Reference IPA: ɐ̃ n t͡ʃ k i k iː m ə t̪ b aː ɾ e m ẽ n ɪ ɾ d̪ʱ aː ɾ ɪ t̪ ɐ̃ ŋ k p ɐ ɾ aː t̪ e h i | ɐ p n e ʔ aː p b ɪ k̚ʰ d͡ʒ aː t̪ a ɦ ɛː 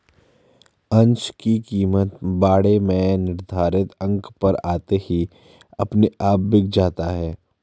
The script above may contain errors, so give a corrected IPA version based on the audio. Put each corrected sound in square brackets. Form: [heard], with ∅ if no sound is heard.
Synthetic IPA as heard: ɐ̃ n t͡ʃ k i k iː m ə t̪ b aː [ɽ] e m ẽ n ɪ ɾ d̪ʱ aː ɾ ɪ t̪ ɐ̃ ŋ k p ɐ ɾ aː t̪ e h i | ɐ p n e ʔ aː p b ɪ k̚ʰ d͡ʒ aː t̪ a ɦ ɛː